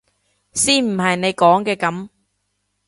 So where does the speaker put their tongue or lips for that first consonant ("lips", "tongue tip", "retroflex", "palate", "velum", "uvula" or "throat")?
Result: tongue tip